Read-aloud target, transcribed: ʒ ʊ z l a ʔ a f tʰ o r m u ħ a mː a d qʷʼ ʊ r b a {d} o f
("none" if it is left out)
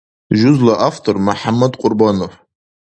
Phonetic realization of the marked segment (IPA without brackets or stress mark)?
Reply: n